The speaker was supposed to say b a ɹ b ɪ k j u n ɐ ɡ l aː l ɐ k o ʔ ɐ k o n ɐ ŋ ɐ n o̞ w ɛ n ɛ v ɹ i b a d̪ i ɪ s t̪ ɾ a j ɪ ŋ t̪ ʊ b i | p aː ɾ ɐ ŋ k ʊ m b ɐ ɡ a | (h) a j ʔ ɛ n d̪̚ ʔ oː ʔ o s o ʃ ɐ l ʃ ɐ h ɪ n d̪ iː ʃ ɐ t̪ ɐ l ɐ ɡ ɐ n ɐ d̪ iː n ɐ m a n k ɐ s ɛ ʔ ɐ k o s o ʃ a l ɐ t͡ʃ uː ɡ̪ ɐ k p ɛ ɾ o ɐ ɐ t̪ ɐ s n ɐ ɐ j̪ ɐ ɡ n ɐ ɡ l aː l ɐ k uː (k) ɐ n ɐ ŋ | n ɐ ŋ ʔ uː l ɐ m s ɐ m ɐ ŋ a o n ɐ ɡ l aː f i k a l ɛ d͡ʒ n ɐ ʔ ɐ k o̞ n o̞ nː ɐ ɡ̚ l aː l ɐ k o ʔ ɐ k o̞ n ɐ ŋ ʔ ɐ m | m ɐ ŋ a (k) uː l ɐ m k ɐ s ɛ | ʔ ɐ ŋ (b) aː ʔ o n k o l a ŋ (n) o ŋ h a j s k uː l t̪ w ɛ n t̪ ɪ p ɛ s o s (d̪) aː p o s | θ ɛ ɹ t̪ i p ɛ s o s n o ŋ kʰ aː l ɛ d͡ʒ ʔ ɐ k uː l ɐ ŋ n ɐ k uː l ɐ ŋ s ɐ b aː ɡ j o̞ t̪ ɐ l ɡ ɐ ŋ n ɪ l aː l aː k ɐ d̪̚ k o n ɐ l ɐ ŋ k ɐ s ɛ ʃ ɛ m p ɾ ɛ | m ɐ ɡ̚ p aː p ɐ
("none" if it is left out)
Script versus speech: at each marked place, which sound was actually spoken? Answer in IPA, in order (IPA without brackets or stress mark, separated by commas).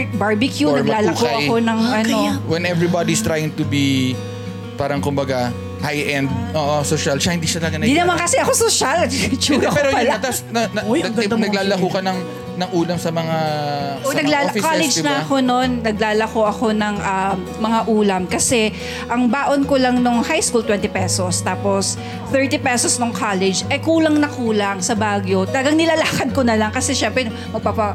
h, k, ʔ, b, n, t̪